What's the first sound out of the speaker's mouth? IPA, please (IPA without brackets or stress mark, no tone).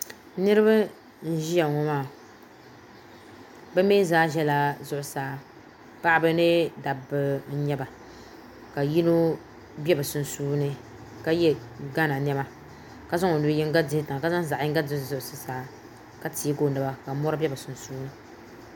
n